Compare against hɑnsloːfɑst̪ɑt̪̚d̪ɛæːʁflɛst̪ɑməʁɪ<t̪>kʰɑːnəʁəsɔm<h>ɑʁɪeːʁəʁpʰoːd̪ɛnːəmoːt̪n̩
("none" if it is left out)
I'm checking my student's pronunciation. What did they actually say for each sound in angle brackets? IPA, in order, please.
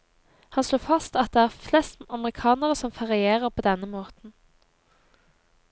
none, f

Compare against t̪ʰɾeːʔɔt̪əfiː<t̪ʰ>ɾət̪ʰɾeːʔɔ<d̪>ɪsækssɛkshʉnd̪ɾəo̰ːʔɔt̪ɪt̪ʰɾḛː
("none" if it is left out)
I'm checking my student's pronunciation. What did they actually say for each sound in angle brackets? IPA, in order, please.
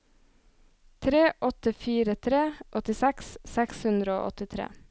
none, t̪

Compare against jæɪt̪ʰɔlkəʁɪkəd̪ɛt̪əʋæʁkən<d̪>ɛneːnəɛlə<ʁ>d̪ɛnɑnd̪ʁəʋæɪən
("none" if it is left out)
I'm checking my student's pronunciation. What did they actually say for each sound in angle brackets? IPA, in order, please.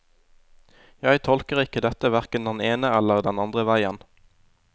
d̪, ʁ

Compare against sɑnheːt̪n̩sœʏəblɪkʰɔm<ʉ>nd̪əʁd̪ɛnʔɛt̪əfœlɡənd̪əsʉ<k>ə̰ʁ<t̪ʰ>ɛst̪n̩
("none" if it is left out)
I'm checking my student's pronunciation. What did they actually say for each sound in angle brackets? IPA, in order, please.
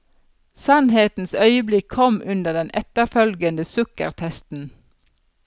ʉ, k, t̪ʰ

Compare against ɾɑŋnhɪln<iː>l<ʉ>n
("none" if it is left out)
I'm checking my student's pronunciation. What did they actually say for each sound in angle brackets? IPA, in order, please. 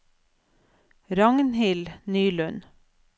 yː, ʉ

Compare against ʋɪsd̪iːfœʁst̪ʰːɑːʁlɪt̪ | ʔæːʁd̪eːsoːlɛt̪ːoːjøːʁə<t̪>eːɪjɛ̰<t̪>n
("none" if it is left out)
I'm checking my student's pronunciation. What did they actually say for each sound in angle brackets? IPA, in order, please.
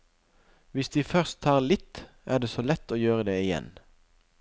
d̪, none

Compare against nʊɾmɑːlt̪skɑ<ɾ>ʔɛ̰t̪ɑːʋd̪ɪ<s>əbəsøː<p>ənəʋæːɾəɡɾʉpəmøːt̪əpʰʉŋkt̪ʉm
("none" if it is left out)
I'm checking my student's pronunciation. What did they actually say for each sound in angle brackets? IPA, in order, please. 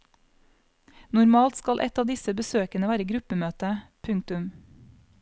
l, s, k

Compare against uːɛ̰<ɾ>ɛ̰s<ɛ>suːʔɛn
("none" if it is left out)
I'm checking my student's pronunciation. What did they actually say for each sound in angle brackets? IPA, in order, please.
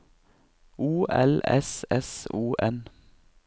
l, ɛ

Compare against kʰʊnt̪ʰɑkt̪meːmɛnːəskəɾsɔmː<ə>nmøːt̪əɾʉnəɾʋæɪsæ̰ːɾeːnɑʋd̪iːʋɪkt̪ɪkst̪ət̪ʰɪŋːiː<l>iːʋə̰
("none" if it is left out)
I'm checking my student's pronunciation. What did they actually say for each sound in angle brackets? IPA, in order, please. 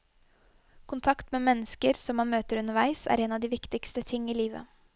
ɑ, l

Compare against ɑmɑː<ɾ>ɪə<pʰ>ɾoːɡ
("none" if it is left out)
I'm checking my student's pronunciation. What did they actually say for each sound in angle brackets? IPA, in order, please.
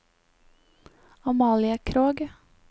l, kʰ

